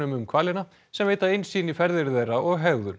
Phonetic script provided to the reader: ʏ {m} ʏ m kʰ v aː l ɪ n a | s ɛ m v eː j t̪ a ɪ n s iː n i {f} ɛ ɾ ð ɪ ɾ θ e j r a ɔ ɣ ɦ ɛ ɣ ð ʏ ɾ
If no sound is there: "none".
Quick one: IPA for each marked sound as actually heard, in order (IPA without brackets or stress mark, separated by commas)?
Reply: m, f